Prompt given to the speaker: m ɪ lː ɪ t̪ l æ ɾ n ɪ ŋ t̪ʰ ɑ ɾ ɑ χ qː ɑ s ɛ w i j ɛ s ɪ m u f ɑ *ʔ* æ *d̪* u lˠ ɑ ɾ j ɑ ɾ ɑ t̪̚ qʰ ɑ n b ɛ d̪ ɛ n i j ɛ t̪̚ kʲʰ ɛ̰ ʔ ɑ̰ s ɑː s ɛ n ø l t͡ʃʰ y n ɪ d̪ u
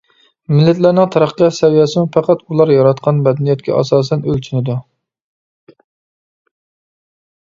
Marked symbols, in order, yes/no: no, no

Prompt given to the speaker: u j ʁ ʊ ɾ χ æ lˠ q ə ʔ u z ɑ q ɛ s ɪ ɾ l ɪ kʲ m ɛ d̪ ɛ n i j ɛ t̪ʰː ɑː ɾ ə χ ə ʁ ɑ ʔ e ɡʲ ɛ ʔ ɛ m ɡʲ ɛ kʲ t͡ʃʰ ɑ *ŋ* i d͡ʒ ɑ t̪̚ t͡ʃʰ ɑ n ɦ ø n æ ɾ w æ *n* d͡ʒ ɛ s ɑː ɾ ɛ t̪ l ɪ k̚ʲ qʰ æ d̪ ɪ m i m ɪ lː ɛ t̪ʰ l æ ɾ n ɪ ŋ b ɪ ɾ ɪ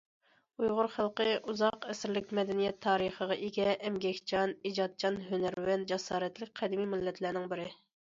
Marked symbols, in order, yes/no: no, yes

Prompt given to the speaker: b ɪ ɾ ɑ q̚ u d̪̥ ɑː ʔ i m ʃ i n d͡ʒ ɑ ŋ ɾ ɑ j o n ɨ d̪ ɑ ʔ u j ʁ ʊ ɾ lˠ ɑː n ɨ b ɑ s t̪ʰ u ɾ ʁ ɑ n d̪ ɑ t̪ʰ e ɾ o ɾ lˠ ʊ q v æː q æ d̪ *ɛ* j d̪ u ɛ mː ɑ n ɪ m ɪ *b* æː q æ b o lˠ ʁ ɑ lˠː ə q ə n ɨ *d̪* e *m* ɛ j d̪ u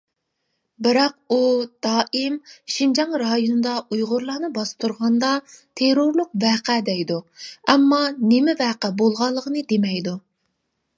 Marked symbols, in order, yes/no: yes, no, yes, yes

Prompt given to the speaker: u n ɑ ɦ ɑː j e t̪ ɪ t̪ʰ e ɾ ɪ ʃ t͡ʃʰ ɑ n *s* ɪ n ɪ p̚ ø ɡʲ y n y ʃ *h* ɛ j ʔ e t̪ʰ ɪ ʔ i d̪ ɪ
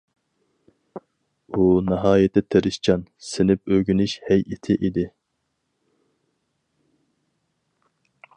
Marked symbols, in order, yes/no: yes, yes

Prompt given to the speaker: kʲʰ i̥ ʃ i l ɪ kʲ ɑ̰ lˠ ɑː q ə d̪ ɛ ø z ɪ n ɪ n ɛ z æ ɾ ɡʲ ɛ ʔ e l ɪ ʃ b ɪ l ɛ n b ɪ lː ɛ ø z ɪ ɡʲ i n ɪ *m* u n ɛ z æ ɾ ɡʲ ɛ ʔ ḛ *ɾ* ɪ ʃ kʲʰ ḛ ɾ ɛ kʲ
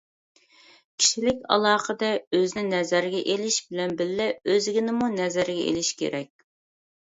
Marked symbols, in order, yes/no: yes, no

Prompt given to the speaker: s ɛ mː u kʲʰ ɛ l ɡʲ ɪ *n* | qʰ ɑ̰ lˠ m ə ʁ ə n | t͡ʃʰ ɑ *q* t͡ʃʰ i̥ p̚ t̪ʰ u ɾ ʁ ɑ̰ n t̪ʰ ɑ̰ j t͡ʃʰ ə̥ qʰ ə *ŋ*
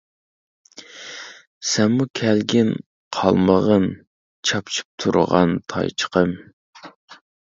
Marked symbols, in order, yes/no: yes, no, no

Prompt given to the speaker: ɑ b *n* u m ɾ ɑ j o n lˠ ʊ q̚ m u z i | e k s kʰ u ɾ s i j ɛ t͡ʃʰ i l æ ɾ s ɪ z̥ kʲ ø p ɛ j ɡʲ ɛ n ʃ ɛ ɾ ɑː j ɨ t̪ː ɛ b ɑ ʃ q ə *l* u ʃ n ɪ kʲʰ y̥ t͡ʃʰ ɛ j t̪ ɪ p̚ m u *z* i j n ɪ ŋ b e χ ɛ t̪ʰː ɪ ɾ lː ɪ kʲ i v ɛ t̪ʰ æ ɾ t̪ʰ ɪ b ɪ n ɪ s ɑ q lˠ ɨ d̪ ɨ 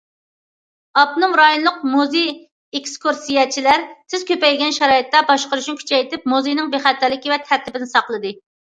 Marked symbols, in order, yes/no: yes, no, yes

